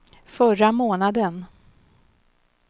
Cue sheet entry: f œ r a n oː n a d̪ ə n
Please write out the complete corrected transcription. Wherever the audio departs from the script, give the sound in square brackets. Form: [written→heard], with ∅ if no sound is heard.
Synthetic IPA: f œ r a [n→m] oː n a d̪ ə n